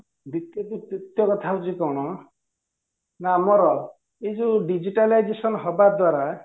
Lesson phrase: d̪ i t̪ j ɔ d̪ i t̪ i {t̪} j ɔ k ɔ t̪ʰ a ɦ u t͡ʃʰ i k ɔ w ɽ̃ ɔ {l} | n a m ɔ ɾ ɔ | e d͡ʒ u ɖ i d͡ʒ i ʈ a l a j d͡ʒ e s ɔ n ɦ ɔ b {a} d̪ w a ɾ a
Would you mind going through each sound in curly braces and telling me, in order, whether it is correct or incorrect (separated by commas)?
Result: correct, incorrect, correct